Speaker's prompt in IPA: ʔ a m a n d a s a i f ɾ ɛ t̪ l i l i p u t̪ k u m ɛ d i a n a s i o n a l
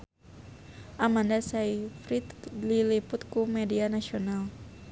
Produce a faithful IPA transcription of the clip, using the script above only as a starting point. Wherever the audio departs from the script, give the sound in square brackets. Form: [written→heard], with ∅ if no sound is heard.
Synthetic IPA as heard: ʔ a m a n d a s a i f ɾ [ɛ→i] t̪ l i l i p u t̪ k u m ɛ d i a n a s i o n a l